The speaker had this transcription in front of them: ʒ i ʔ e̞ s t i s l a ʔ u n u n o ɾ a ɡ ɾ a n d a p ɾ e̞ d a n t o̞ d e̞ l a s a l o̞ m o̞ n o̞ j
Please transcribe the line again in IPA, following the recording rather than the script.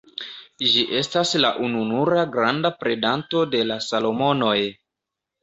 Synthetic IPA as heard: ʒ i ʔ e̞ s t a s l a ʔ u n u n u ɾ a ɡ ɾ a n d a p ɾ e̞ d a n t o̞ d e̞ l a s a l o̞ m o̞ n o̞ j